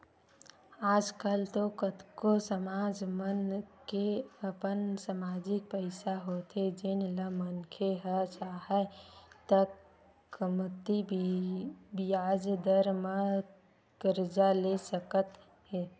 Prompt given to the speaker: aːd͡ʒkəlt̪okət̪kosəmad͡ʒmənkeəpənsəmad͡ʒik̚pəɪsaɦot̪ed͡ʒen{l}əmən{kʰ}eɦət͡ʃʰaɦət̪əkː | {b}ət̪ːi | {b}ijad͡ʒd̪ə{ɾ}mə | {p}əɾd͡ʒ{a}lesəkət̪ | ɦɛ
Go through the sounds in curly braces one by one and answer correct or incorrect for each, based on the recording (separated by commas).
correct, correct, incorrect, correct, correct, incorrect, correct